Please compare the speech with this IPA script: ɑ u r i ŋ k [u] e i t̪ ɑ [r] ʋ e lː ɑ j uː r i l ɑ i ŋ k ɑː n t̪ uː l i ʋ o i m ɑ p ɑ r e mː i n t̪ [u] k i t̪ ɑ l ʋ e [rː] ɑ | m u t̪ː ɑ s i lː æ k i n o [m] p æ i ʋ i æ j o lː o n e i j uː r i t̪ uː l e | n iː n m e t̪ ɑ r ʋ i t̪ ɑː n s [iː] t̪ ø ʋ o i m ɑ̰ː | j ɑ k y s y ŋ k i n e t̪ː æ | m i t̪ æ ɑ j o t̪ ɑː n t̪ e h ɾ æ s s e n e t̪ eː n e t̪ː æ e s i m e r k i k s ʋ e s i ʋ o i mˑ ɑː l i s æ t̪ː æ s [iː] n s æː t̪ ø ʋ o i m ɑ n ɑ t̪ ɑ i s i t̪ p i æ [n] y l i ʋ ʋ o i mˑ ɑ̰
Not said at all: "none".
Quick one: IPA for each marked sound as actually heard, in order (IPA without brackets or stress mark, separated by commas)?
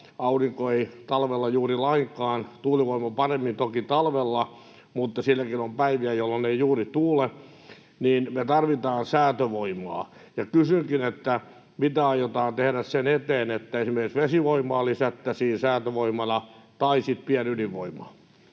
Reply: o, l, o, lː, m, æː, iː, n